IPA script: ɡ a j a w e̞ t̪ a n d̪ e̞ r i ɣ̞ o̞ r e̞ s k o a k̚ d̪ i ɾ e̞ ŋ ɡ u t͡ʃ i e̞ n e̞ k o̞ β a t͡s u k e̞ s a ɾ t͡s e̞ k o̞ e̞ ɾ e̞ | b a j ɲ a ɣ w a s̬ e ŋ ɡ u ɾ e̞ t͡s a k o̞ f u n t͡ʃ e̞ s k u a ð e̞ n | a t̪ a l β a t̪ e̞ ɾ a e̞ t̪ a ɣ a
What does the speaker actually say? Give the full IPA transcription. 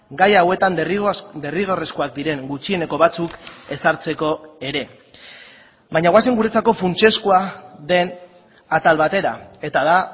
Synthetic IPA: ɡ a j a w e̞ t̪ a n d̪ e̞ r i ɣ̞ o̞ r e̞ s k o a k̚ d̪ i ɾ e̞ ŋ ɡ u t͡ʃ i e̞ n e̞ k o̞ β a t͡s u k e̞ s a ɾ t͡s e̞ k o̞ e̞ ɾ e̞ | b a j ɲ a ɣ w a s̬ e ŋ ɡ u ɾ e̞ t͡s a k o̞ f u n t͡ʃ e̞ s k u a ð e̞ n | a t̪ a l β a t̪ e̞ ɾ a e̞ t̪ a ð a